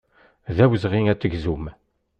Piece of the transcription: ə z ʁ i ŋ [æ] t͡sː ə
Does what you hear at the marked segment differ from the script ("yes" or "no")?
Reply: no